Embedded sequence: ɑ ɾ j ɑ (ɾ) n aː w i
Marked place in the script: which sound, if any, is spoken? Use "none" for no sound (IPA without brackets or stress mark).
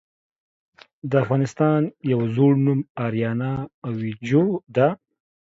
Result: none